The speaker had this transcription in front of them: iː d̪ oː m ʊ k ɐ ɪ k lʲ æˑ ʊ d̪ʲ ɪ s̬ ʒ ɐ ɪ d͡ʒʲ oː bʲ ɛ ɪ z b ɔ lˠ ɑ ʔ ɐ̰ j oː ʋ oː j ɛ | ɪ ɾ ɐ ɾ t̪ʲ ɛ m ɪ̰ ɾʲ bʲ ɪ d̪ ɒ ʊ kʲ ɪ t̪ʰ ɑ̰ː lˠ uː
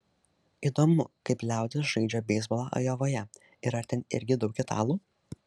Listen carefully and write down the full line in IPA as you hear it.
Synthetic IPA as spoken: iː d̪ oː m ʊ k ɐ ɪ p lʲ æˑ ʊ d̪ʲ ɪ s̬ ʒ ɐ ɪ d͡ʒʲ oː bʲ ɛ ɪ z b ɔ lˠ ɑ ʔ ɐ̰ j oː ʋ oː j ɛ | ɪ ɾ ɐ ɾ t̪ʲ ɛ n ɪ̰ ɾʲ ɡʲ ɪ d̪ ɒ ʊ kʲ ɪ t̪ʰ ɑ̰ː lˠ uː